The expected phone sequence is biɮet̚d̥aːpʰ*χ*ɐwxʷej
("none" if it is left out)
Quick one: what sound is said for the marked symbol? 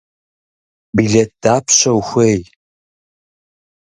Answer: ɕ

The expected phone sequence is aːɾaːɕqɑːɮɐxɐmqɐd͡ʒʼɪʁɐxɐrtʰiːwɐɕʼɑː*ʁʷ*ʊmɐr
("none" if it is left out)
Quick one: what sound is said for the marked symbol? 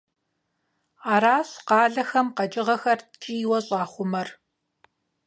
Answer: χʷ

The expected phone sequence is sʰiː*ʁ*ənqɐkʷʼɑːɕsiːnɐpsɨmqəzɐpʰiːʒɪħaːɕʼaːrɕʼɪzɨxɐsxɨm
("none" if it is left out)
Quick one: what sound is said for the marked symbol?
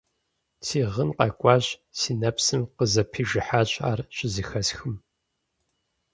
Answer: ʁ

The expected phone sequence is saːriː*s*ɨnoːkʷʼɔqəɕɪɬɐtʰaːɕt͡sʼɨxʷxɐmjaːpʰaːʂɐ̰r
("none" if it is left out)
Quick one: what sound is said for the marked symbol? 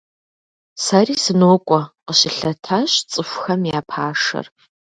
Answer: s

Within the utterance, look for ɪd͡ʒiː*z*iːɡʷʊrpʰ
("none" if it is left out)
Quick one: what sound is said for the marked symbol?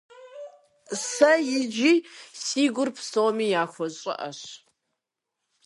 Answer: s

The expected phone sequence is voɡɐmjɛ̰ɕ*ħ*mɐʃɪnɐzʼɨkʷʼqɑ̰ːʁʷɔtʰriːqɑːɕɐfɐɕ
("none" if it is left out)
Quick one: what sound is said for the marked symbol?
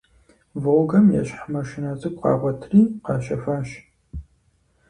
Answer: ħ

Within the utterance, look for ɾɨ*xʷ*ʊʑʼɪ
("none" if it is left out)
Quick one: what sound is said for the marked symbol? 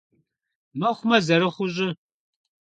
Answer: χʷ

